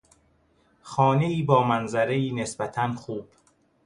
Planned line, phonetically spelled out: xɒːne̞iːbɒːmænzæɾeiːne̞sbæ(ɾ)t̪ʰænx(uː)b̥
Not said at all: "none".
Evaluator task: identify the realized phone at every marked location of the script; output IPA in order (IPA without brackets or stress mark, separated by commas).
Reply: none, uː